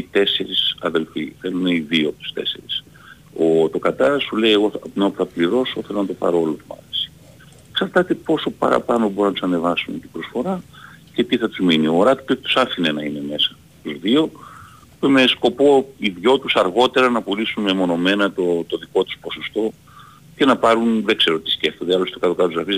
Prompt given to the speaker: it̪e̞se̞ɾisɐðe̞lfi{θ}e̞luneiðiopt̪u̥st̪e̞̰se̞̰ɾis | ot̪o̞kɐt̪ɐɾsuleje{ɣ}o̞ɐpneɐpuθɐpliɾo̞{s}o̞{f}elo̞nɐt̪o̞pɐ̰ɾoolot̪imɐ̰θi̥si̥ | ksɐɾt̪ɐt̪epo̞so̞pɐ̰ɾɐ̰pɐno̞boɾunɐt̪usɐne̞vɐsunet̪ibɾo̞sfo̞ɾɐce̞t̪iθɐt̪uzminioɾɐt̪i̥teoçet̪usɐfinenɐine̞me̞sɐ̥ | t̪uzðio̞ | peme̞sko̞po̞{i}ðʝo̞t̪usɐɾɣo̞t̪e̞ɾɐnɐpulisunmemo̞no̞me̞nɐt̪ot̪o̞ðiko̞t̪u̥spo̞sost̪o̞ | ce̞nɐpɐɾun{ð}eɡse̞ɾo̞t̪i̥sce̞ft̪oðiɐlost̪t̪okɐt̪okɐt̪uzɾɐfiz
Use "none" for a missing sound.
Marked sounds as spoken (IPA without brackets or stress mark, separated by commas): θ, ɣ, s, θ, i, ð